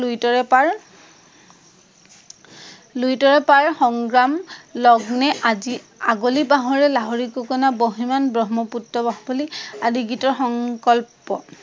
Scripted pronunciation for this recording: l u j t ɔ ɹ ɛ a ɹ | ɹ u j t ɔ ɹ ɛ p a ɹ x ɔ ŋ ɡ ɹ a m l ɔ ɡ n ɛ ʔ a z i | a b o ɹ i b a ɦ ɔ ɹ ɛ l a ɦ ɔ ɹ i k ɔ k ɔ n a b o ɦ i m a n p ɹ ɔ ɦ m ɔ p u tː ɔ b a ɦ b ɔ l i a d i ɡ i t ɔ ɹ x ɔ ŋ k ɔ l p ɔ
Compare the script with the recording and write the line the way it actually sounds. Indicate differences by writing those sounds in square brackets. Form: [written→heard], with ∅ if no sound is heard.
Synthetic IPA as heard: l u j t ɔ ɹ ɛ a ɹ | [ɹ→l] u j t ɔ ɹ ɛ p a ɹ x ɔ ŋ ɡ ɹ a m l ɔ ɡ n ɛ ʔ a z i | a [b→ɡ] o [ɹ→l] i b a ɦ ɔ ɹ ɛ l a ɦ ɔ ɹ i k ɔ k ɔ n a b o ɦ i m a n [p→b] ɹ ɔ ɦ m ɔ p u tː ɔ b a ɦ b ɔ l i a d i ɡ i t ɔ ɹ x ɔ ŋ k ɔ l p ɔ